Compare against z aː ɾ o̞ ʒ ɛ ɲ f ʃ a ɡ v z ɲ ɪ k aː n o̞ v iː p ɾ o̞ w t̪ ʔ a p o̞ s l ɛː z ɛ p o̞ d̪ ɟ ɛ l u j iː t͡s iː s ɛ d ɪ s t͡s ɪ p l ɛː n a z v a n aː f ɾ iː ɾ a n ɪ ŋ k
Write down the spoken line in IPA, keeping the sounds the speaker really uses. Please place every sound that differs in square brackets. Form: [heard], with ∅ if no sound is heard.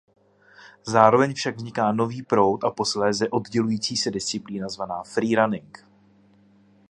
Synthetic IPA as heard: z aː ɾ o̞ [v] ɛ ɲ f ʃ a ɡ v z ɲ ɪ k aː n o̞ v iː p ɾ o̞ w t̪ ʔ a p o̞ s l ɛː z ɛ [ʔ] o̞ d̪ ɟ ɛ l u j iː t͡s iː s ɛ d ɪ s t͡s ɪ p l [iː] n a z v a n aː f ɾ iː ɾ a n ɪ ŋ k